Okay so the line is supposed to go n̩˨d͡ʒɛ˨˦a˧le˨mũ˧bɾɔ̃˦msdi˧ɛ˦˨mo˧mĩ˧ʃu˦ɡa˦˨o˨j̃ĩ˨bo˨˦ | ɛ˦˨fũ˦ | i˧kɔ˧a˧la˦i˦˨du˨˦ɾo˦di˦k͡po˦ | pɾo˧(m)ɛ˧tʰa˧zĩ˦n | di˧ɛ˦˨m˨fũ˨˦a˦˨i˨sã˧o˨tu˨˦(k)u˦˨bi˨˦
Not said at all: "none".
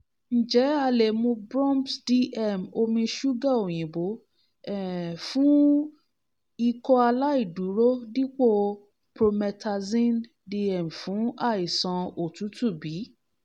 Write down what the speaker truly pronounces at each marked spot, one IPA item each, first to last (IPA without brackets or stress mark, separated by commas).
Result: m, t